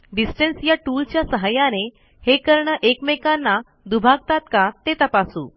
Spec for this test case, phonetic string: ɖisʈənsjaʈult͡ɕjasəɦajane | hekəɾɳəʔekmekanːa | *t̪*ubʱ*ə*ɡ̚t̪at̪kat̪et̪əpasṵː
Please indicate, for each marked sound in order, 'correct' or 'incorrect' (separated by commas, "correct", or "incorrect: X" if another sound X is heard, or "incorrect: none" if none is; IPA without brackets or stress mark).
incorrect: d̪, incorrect: a